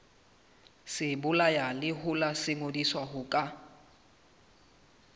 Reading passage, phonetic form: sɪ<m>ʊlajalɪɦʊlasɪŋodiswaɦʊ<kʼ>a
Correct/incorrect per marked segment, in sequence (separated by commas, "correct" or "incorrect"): incorrect, correct